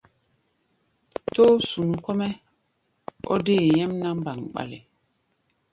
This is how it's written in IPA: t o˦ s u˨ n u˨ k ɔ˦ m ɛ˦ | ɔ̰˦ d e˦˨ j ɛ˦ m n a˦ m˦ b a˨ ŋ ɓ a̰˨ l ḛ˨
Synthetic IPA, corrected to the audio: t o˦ s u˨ n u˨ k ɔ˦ m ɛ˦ | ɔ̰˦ d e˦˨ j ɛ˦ m n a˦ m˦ b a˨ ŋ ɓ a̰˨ l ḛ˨